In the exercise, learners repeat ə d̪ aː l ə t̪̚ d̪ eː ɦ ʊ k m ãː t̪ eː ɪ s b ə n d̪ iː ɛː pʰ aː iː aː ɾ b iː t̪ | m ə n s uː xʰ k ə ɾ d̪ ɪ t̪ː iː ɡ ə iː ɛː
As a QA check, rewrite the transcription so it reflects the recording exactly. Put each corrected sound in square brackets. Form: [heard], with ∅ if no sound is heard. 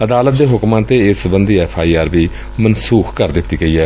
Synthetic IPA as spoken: ə d̪ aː l ə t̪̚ d̪ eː ɦ ʊ k m ãː t̪ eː ɪ s b ə n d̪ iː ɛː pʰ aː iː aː ɾ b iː [∅] | m ə n s uː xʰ k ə ɾ d̪ ɪ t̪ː iː ɡ ə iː ɛː